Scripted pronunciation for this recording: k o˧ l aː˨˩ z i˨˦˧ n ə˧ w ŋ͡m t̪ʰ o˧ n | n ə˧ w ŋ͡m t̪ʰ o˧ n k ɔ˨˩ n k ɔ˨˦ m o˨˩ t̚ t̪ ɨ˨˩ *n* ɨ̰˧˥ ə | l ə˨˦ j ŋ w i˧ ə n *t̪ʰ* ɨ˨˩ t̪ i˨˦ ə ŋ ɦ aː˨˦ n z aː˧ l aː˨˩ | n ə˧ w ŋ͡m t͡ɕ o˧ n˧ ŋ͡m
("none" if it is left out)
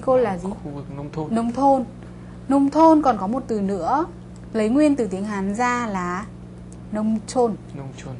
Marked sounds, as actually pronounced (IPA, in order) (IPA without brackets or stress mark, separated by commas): n, t̪